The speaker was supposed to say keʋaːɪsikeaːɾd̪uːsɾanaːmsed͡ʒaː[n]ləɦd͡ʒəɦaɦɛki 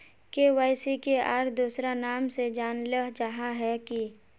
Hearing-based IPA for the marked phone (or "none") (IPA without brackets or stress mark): n